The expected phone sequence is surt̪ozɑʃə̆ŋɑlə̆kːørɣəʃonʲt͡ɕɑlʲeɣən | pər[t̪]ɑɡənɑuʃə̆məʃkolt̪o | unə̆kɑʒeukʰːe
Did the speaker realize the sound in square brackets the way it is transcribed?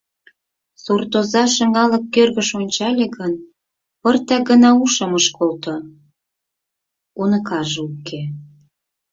yes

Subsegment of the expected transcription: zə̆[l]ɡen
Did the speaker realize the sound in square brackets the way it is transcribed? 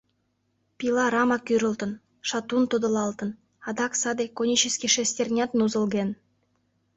yes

